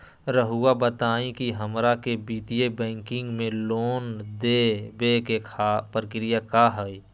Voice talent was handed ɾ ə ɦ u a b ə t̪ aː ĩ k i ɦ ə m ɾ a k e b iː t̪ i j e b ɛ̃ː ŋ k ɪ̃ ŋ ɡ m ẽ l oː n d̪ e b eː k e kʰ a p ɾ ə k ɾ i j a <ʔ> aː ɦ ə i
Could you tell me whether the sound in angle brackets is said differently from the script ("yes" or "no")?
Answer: yes